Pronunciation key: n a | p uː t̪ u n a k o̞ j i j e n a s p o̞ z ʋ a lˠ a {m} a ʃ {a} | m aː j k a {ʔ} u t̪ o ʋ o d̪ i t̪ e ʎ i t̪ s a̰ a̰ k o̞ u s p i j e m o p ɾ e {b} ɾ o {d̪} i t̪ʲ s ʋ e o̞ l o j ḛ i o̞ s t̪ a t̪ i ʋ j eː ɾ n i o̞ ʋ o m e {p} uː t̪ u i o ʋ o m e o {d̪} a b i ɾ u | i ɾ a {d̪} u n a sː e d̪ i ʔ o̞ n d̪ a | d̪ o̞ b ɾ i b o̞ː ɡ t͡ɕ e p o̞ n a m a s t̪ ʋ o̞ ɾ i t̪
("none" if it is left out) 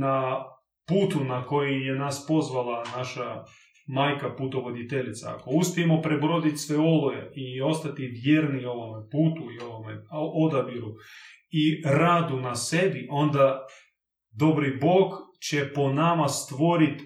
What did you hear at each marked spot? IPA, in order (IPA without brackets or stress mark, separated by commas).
n, a, p, b, d̪, p, d̪, d̪